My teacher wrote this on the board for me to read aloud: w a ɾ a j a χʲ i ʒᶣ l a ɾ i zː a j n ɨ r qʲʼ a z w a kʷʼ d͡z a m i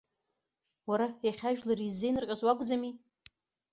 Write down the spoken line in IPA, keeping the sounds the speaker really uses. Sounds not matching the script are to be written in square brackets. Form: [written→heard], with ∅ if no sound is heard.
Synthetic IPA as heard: w a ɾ a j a χʲ [i→a] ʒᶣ l a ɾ i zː [a→e] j n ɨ r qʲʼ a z w a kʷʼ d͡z a m i